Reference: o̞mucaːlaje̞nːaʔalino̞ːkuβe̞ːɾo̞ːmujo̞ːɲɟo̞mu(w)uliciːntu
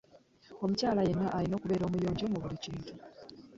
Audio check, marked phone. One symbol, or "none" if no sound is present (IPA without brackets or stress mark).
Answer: β